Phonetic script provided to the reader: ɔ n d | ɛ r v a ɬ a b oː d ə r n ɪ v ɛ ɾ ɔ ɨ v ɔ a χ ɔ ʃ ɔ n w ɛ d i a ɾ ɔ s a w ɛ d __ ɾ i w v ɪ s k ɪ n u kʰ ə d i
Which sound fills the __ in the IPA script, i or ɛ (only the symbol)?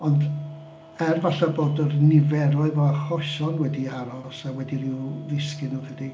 i